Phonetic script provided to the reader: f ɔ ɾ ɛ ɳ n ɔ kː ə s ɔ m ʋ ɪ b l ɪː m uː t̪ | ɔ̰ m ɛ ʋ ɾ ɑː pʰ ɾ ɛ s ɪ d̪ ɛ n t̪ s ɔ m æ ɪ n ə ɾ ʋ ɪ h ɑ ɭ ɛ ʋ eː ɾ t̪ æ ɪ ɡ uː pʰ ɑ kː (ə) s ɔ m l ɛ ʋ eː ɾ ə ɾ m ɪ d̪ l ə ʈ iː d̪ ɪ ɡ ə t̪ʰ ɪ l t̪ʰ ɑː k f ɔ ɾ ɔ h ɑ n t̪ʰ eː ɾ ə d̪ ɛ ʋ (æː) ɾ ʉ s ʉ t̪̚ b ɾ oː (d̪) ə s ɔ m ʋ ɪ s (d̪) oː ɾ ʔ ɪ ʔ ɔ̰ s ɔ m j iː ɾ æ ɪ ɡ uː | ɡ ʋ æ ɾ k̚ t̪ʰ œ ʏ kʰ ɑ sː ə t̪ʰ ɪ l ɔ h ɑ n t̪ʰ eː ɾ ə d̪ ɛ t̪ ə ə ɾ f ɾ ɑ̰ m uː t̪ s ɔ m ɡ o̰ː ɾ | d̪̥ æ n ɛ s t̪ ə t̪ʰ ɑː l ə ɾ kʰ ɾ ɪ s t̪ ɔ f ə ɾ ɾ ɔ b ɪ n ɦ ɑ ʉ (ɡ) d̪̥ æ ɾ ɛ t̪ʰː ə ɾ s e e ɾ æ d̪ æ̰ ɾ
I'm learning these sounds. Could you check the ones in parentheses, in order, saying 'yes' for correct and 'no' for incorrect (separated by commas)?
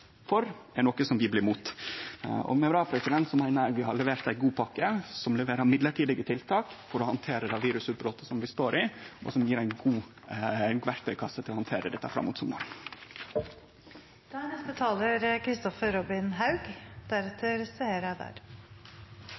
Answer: yes, no, no, no, yes